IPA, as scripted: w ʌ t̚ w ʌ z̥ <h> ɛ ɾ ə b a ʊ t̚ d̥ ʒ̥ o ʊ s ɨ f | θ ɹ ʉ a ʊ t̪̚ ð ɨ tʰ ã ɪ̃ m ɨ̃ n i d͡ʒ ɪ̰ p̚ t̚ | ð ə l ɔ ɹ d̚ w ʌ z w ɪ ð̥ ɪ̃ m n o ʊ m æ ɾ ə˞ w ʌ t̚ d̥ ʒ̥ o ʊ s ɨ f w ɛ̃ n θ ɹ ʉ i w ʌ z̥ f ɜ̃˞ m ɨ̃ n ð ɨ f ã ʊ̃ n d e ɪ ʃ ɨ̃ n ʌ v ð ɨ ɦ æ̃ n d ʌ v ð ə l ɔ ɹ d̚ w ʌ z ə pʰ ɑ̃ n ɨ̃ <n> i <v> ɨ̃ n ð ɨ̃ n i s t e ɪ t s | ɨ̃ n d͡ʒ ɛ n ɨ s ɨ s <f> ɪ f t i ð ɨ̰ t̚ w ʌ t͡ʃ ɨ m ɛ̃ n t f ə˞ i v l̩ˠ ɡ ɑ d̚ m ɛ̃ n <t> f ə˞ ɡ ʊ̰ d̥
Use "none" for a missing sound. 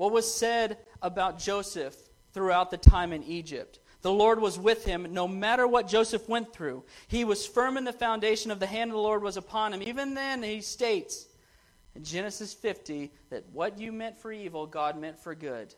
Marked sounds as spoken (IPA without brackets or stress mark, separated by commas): s, m, v, f, t